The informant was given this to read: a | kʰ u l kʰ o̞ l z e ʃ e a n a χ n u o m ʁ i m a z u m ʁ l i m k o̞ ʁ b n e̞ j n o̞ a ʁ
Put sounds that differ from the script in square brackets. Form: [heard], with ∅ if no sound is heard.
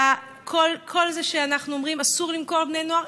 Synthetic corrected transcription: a | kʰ [o] l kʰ o̞ l z e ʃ e a n a χ n u o m ʁ i m a [s] u [∅] ʁ l i m k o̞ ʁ b n e̞ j n o̞ a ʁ